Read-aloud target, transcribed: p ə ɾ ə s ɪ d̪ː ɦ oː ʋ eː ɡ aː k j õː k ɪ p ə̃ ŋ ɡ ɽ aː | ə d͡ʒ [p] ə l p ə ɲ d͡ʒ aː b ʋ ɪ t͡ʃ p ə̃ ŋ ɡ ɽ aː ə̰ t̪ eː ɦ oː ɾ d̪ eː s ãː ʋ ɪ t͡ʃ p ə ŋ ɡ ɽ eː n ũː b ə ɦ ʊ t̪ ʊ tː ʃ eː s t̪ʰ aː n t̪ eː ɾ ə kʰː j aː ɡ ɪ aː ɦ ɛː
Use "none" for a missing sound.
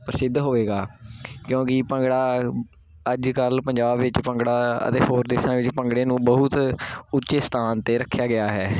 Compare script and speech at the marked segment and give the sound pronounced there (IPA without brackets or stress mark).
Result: k